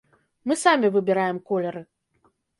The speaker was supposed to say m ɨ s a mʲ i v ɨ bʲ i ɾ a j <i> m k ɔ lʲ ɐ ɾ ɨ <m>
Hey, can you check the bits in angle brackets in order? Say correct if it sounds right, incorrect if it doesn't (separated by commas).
incorrect, incorrect